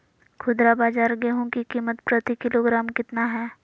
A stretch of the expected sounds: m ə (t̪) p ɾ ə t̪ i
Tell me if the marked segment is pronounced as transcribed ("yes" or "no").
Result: yes